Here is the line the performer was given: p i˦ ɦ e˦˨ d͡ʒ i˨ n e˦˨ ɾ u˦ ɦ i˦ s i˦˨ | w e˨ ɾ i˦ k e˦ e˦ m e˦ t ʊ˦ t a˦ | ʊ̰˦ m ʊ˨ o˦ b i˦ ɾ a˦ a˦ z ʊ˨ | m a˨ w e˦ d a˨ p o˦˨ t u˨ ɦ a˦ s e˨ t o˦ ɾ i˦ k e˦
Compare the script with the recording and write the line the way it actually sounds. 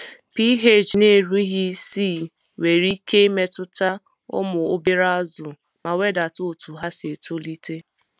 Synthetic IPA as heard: p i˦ ɦ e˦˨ d͡ʒ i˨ n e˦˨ ɾ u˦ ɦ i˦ s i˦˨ | w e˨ ɾ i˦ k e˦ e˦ m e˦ t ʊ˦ t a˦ | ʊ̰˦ m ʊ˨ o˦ b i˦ ɾ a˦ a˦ z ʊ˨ | m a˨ w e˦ d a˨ t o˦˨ t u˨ ɦ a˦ s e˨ t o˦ l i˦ t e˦